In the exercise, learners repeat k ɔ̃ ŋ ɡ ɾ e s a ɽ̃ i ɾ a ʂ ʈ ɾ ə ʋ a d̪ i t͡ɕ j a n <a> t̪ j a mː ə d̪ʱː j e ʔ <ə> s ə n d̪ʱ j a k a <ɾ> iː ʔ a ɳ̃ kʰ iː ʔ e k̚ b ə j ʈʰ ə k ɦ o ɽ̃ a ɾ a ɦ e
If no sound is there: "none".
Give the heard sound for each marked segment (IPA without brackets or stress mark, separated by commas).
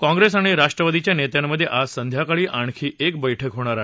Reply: e, a, ɭ